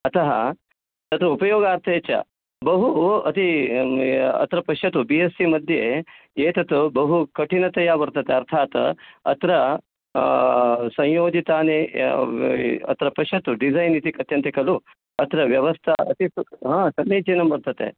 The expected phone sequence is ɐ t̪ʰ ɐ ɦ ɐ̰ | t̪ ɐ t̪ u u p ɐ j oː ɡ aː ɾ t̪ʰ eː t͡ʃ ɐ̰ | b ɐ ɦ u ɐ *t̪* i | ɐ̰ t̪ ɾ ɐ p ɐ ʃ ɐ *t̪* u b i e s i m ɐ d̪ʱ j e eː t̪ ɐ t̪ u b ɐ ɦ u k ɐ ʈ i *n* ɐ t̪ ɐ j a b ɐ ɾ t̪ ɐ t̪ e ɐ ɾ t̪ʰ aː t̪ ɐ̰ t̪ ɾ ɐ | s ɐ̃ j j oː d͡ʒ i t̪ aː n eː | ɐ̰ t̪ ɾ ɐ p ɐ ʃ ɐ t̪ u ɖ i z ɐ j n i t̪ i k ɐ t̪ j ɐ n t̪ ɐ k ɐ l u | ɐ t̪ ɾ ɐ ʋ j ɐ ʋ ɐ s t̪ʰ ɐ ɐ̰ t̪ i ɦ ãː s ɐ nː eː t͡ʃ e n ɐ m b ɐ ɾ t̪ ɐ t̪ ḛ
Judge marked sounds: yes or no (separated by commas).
yes, yes, yes